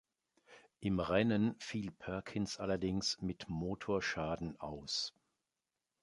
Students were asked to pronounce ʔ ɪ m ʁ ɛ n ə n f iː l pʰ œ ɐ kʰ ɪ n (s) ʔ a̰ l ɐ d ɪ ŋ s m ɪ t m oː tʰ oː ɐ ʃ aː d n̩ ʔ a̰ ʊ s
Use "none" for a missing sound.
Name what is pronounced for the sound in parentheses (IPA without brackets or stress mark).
s